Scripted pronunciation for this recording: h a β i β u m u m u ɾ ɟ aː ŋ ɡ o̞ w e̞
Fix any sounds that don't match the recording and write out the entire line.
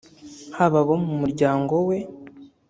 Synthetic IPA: h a β a β o m u m u ɾ ɟ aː ŋ ɡ o̞ w e̞